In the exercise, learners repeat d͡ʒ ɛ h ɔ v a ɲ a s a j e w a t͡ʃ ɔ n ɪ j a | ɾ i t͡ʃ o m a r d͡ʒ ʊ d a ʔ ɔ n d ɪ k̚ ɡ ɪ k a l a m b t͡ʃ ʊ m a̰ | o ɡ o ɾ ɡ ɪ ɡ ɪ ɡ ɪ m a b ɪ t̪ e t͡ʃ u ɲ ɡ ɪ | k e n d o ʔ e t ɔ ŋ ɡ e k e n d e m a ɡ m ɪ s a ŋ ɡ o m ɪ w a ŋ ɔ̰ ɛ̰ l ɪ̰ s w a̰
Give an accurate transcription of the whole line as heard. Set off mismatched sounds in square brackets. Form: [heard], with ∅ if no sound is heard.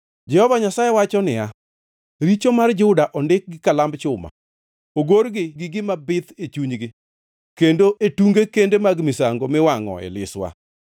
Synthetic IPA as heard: d͡ʒ ɛ h ɔ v a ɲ a s a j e w a t͡ʃ ɔ n ɪ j a | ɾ i t͡ʃ o m a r d͡ʒ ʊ d a ʔ ɔ n d ɪ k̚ ɡ ɪ k a l a m b t͡ʃ ʊ m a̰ | o ɡ o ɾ ɡ ɪ ɡ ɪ ɡ ɪ m a b ɪ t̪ e t͡ʃ u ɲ ɡ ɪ | k e n d o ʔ e t [u] ŋ ɡ e k e n d e m a ɡ m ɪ s a ŋ ɡ o m ɪ w a ŋ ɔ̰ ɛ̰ l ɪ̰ s w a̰